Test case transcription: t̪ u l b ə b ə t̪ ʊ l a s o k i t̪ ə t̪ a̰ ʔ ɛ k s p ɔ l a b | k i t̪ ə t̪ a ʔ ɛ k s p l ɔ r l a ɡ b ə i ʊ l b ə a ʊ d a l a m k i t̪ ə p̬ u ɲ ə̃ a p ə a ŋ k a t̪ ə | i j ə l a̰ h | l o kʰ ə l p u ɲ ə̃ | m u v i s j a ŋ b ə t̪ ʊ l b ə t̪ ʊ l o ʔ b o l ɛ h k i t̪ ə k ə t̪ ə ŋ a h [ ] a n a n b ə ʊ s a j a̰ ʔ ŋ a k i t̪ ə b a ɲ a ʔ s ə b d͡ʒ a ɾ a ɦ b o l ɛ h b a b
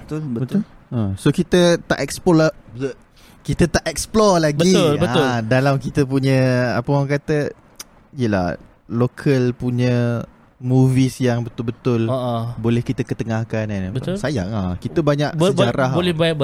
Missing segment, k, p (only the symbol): k